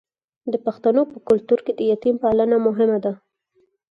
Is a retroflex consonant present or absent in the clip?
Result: absent